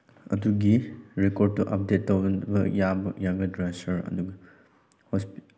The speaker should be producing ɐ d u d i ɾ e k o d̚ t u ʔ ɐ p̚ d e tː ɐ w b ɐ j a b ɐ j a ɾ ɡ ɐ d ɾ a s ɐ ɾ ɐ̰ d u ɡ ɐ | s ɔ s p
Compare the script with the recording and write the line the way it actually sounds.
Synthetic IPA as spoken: ɐ d u ɡ i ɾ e k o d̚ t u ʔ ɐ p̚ d e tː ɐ w b ɐ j a b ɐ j a ɡ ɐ d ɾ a s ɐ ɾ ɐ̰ d u ɡ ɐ | h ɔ s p